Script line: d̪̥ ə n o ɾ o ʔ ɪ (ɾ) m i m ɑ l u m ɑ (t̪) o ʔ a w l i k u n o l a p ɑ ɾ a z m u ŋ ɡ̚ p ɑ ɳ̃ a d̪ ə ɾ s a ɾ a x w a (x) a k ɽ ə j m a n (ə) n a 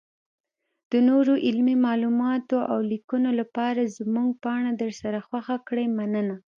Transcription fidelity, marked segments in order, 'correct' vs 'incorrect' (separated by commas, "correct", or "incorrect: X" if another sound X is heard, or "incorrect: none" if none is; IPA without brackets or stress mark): incorrect: l, correct, correct, correct